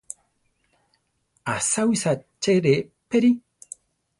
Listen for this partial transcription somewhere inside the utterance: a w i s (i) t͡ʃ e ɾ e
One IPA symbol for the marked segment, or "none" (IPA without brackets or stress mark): a